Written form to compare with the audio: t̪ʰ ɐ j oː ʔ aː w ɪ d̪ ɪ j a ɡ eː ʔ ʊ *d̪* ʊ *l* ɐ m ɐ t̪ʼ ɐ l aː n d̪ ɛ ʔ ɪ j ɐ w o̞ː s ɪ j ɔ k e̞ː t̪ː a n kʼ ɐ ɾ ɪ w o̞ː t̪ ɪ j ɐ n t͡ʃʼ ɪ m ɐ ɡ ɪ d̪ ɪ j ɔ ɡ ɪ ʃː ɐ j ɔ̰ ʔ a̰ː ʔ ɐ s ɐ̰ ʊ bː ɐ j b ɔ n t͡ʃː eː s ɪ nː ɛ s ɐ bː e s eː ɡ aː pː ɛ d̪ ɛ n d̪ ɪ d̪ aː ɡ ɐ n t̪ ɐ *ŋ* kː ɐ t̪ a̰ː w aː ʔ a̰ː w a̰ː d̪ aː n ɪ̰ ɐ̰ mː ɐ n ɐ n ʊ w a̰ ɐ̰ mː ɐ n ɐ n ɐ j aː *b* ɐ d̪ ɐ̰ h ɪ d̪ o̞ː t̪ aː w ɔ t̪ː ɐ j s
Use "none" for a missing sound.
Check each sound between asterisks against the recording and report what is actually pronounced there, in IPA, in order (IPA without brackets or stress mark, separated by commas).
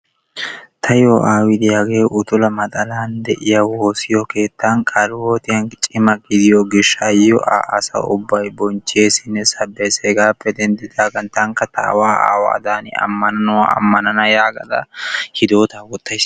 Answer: t̪, l, ŋ, ɡ